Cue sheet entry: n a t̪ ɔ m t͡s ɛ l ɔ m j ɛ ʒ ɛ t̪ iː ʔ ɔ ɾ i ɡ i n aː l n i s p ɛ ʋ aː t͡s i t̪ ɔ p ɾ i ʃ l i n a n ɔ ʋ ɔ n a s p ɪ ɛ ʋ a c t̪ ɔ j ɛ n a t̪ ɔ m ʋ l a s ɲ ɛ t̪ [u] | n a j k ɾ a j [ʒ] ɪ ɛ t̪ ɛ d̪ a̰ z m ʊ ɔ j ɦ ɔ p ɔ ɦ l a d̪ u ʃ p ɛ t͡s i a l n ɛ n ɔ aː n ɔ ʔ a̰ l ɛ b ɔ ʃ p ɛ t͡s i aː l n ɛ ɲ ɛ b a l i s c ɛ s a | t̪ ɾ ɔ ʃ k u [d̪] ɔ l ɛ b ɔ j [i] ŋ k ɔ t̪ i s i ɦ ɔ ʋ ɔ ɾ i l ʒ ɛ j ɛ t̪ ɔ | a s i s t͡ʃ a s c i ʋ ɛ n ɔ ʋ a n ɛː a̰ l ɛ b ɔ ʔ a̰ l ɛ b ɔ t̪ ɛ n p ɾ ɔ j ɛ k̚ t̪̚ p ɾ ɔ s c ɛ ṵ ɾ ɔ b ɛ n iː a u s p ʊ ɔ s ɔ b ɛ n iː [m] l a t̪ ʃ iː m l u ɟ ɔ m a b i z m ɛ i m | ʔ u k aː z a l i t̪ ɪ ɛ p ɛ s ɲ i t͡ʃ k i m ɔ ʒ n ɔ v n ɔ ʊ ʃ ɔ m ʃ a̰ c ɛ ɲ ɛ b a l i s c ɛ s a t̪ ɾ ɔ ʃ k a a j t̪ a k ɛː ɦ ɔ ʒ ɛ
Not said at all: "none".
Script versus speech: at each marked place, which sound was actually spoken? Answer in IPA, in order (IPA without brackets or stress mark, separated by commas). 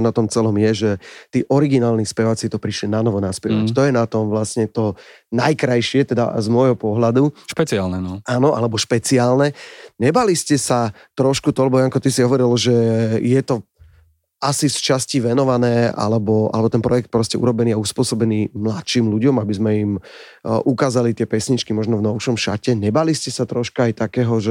ɔ, ʃ, t̪, a, m